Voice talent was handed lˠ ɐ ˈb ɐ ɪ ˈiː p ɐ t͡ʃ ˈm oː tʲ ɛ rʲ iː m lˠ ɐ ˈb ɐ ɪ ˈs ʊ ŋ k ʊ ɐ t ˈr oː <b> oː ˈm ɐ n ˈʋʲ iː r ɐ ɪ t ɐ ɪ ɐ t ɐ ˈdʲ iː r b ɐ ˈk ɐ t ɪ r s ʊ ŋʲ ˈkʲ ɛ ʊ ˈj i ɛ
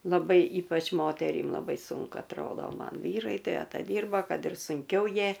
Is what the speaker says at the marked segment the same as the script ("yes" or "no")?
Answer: no